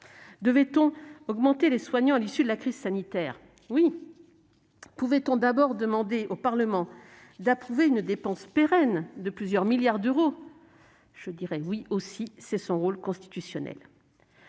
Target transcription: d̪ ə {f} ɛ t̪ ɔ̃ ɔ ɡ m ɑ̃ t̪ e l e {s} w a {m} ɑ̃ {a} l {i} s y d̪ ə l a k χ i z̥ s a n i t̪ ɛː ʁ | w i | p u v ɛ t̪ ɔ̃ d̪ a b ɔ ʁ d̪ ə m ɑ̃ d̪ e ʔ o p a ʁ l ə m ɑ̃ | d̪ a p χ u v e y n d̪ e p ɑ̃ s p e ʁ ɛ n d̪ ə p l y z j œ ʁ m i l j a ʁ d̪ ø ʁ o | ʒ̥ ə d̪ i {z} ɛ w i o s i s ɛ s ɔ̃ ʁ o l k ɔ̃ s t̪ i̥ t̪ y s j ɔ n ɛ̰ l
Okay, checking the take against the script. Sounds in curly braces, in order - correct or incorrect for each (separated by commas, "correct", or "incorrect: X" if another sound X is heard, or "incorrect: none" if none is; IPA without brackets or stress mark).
incorrect: v, correct, incorrect: ɲ, correct, correct, incorrect: ʁ